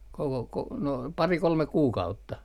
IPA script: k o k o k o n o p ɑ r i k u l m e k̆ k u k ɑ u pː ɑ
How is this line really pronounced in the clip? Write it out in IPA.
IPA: k o k o k o n o p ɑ r i k o l m e k̆ k uː k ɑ u tː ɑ